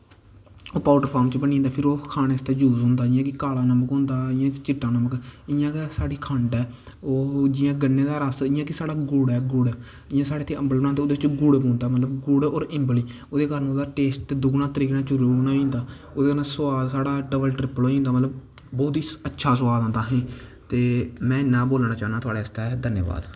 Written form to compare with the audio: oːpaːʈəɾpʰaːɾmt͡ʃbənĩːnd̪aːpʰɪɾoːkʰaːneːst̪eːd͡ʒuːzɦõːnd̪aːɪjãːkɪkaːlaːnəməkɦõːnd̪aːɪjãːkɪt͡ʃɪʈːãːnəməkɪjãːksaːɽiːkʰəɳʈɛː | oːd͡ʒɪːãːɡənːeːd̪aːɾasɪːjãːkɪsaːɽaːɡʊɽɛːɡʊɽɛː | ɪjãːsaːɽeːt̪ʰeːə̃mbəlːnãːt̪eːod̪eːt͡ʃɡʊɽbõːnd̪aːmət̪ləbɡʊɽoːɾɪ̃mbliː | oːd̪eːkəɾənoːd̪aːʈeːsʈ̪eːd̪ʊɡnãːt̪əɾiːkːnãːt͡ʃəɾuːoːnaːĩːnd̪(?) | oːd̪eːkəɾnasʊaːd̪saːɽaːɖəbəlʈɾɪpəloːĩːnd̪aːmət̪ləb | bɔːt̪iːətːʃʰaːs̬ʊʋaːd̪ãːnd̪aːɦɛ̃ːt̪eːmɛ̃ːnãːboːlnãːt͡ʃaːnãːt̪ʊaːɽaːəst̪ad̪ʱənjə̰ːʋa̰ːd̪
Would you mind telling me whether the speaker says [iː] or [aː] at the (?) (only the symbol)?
aː